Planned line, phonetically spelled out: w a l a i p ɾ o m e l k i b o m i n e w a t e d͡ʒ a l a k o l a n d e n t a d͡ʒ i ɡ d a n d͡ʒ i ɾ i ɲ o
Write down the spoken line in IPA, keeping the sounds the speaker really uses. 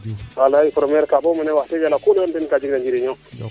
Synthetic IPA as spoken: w a l a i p ɾ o m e ɾ k a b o m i n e w a t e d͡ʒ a l a k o l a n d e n k a d͡ʒ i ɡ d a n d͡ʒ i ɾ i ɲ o